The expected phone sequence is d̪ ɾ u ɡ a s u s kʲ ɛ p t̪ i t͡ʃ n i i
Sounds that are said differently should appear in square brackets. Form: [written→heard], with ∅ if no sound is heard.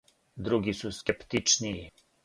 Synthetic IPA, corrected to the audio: d̪ ɾ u ɡ [a→i] s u s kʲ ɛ p t̪ i t͡ʃ n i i